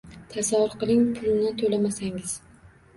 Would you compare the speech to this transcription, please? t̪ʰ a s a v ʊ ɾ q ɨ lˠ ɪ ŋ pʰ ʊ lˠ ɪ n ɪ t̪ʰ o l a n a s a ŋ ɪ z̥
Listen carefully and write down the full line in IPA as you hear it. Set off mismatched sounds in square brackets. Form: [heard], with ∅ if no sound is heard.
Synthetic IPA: t̪ʰ a s a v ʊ ɾ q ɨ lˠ ɪ ŋ pʰ ʊ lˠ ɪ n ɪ t̪ʰ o l a [m] a s a ŋ ɪ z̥